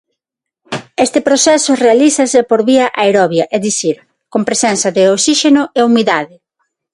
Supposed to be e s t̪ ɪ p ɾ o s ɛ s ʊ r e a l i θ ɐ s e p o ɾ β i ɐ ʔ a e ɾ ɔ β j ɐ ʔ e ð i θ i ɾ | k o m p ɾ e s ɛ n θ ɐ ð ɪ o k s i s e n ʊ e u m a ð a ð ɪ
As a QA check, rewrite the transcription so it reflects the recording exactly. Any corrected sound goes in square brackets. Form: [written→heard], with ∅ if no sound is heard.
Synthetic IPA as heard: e s t̪ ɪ p ɾ o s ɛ s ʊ r e a l i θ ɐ s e p o ɾ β i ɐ ʔ a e ɾ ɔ β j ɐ ʔ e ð i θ i ɾ | k o m p ɾ e s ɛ n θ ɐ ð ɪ o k s i [s→ʃ] e n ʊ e u m [a→i] ð a ð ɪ